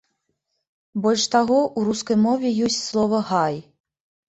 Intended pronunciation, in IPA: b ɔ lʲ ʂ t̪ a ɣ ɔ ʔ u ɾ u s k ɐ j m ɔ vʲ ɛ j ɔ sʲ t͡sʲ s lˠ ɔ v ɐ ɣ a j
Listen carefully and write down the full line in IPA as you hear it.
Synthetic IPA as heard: b ɔ lʲ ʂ t̪ a ɣ ɔ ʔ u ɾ u s k ɐ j m ɔ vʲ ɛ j ɔ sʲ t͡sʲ s lˠ ɔ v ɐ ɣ a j